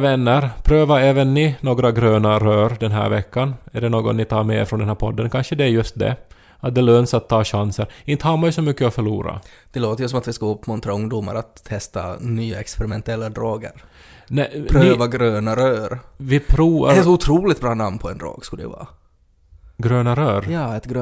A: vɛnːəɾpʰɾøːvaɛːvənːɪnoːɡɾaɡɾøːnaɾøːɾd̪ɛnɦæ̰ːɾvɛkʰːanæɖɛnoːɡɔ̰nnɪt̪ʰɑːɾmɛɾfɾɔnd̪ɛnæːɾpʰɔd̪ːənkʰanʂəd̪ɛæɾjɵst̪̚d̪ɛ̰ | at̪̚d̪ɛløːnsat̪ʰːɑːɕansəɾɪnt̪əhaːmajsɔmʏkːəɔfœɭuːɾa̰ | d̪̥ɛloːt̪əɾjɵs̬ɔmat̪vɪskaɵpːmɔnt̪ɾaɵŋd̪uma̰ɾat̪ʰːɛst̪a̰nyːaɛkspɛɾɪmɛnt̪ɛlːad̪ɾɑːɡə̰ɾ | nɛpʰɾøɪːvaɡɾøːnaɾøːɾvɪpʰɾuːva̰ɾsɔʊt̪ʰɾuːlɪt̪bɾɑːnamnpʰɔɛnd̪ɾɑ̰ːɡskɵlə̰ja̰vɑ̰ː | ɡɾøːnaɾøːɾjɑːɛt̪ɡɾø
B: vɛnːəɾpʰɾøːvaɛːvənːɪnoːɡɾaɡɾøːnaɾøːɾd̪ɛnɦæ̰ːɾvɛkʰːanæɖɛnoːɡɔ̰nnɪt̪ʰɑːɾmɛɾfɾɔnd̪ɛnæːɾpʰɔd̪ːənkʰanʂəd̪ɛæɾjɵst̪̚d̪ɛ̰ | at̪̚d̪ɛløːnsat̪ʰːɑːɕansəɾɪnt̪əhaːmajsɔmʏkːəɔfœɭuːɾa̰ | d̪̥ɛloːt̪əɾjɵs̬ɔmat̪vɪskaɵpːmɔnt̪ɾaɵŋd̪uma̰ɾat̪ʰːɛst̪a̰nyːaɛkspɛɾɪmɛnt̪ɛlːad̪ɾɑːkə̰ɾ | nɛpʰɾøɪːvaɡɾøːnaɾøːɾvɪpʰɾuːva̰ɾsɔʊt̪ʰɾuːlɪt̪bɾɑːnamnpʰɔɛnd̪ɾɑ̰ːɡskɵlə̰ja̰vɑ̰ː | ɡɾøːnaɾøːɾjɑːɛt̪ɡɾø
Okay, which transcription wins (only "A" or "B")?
A